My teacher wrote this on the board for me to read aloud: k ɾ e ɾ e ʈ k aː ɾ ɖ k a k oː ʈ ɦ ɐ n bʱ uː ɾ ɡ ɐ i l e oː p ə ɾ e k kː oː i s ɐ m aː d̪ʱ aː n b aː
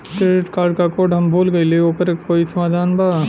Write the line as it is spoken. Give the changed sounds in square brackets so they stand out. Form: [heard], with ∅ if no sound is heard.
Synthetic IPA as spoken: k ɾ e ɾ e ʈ k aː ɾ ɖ k a k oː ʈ ɦ ɐ [m] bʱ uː [l] ɡ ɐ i l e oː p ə ɾ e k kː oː i s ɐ m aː d̪ʱ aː n b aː

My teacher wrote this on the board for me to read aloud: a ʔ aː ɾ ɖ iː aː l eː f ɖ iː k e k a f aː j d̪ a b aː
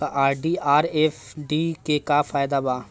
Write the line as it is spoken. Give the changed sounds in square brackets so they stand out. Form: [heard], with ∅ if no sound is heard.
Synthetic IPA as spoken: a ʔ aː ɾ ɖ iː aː [ɾ] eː f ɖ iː k e k a f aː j d̪ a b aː

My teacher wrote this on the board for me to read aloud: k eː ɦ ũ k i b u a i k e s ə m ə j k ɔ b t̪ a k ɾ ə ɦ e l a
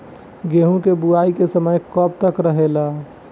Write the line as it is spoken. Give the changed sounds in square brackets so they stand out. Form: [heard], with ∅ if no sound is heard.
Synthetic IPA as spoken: [ɡ] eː ɦ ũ k [e] b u a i k e s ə m ə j k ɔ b t̪ [ə] k ɾ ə ɦ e l a

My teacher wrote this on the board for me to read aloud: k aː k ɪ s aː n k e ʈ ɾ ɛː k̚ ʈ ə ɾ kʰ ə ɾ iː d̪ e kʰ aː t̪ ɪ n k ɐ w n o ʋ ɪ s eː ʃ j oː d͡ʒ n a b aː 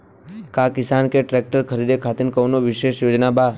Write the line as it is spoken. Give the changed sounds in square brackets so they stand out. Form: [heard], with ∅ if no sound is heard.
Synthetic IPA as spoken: k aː k ɪ s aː n k e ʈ ɾ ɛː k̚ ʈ ə ɾ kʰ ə ɾ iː d̪ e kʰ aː t̪ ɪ n k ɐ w n o ʋ ɪ [ʃ] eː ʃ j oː d͡ʒ n a b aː

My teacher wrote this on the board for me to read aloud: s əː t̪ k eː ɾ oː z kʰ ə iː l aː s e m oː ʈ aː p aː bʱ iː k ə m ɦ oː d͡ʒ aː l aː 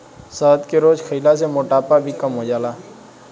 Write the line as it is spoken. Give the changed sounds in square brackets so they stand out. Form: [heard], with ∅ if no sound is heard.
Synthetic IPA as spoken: s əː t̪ k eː ɾ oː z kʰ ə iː l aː s e m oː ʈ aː p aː bʱ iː k ə m ɦ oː d͡ʒ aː l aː

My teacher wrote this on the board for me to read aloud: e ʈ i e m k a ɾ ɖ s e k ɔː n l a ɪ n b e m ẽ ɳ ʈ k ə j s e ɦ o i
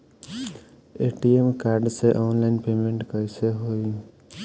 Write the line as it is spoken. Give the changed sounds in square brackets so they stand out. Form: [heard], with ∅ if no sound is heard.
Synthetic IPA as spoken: e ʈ i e m k a ɾ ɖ s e [ʔ] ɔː n l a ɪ n [p] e m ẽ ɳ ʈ k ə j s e ɦ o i

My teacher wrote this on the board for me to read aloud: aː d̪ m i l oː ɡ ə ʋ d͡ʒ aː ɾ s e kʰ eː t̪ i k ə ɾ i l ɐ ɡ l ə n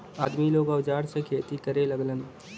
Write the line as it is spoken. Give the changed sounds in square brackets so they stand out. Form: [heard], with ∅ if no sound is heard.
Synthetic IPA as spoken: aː d̪ m i l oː ɡ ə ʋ d͡ʒ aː ɾ s e kʰ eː t̪ i k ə ɾ [e] l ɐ ɡ l ə n

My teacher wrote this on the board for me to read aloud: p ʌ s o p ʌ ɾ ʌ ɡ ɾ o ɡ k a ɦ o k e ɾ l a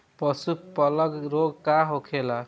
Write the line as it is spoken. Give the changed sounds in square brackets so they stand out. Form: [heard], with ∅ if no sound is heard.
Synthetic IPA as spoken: p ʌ s [u] p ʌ [l] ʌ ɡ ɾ o ɡ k a ɦ o [kʰ] e [∅] l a

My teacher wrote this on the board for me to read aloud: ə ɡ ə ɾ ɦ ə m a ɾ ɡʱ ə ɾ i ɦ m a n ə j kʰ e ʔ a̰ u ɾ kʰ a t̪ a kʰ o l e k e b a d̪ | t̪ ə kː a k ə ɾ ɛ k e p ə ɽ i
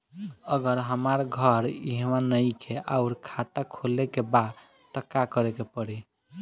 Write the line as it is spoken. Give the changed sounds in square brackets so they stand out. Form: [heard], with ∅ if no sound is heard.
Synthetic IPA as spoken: ə ɡ ə ɾ ɦ ə m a ɾ ɡʱ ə ɾ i ɦ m a n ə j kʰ e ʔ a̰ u ɾ kʰ a t̪ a kʰ o l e k e b a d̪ | t̪ ə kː a k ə ɾ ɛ k e p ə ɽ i

